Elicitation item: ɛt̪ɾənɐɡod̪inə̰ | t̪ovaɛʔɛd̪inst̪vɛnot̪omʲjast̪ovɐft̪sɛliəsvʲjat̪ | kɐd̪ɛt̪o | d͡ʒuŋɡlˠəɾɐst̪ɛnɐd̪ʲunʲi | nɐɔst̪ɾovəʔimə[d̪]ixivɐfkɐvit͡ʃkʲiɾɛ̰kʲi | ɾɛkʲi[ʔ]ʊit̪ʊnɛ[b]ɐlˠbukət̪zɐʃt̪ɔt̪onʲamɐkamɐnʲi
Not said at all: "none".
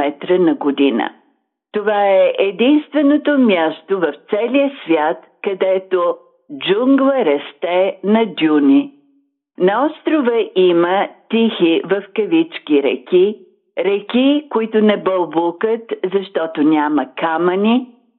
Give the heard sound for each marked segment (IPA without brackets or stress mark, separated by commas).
t̪, k, b